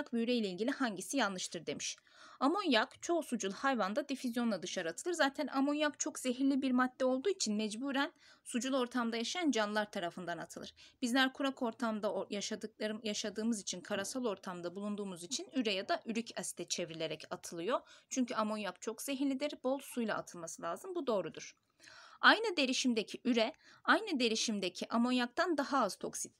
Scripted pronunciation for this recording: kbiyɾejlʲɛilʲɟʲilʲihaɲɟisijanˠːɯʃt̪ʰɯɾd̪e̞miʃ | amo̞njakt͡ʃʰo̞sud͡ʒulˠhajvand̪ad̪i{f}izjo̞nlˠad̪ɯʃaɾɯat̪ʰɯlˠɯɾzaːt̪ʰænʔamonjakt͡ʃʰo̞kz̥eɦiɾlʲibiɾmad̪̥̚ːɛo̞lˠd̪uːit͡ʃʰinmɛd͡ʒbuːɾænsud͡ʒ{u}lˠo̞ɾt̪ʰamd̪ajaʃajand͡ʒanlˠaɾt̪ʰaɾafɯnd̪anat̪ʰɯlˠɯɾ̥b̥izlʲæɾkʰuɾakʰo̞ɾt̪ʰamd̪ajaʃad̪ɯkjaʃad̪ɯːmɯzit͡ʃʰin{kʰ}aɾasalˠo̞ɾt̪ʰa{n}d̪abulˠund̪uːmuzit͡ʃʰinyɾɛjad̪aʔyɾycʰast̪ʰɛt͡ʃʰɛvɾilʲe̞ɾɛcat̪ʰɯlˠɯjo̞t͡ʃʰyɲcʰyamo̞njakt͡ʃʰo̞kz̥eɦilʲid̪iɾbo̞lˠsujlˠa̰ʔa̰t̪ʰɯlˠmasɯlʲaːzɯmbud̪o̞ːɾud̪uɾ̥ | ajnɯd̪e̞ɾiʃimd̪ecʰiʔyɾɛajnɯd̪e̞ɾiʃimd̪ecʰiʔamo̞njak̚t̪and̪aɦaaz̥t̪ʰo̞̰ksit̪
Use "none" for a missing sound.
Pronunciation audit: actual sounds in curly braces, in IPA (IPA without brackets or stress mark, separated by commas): f, u, kʰ, m